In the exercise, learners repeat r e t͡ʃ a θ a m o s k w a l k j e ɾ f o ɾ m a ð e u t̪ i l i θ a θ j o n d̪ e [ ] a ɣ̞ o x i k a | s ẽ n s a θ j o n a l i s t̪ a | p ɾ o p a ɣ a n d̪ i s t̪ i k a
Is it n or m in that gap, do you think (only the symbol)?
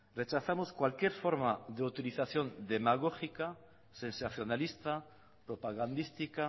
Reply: m